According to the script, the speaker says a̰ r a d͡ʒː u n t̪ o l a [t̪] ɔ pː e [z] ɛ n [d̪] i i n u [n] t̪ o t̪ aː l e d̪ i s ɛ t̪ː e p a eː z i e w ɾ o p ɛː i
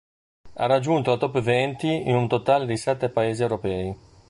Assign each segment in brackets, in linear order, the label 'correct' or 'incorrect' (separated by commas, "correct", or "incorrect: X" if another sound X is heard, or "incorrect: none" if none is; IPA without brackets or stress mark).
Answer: correct, incorrect: v, incorrect: t̪, correct